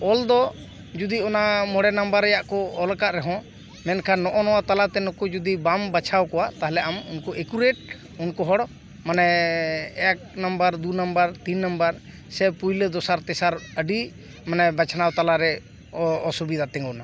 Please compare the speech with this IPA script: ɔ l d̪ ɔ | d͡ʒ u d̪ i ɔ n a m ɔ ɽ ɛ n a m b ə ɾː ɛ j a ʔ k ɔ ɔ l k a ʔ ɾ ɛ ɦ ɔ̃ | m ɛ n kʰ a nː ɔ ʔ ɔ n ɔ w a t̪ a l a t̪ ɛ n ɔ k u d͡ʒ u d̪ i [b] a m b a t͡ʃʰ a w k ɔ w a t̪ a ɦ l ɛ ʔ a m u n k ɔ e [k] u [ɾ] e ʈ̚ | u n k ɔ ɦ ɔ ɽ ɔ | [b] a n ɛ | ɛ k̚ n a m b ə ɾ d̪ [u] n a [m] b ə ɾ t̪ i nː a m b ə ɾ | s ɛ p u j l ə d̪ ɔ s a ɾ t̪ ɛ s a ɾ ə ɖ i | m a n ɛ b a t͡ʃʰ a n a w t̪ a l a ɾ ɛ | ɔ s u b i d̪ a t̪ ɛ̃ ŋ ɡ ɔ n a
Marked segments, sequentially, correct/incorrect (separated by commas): correct, correct, correct, incorrect, correct, correct